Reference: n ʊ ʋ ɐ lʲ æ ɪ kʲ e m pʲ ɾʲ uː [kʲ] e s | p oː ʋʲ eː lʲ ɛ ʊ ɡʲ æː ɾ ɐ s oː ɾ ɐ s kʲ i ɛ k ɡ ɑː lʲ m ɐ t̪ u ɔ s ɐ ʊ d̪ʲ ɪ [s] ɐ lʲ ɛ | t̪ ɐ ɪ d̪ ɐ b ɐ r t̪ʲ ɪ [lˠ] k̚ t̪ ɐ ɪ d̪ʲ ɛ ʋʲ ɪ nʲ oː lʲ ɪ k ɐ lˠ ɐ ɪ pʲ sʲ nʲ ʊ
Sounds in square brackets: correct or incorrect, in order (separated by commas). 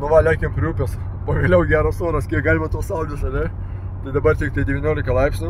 incorrect, correct, incorrect